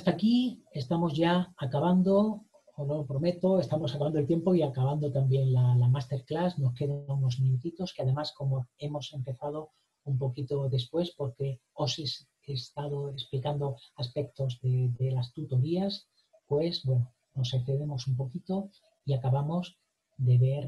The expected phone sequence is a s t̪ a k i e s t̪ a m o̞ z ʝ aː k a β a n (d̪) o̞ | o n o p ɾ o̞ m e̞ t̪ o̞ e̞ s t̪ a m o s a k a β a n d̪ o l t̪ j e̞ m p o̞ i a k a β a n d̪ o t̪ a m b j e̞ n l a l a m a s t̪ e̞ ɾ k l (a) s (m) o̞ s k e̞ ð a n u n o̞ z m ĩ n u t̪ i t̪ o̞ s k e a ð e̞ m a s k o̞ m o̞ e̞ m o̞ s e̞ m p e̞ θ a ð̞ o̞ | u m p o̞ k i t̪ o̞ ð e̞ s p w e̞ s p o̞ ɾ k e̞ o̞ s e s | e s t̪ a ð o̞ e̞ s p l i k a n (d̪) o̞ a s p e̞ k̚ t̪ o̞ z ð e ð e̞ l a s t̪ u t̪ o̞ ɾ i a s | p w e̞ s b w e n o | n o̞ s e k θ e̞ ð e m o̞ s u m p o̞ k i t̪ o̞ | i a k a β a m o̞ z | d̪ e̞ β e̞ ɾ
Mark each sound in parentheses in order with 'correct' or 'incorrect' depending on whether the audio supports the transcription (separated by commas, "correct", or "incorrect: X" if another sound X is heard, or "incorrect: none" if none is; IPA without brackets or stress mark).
correct, correct, incorrect: n, correct